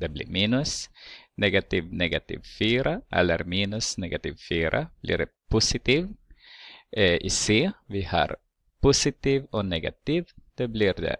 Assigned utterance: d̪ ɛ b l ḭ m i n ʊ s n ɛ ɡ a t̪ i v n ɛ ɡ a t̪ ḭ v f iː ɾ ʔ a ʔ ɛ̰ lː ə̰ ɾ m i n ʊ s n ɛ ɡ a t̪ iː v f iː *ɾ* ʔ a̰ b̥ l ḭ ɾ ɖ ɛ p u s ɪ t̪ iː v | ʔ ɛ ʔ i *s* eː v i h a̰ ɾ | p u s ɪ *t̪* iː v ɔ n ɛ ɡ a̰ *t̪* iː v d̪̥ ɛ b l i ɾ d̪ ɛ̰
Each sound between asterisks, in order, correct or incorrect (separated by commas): correct, correct, correct, correct